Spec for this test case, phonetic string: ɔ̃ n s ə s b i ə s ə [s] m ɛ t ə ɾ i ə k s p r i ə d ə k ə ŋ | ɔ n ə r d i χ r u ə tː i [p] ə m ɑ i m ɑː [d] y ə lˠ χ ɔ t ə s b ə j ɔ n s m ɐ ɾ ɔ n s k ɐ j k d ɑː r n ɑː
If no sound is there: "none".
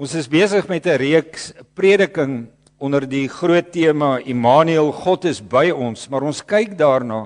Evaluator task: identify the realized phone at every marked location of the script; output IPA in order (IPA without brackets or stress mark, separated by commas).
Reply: χ, none, n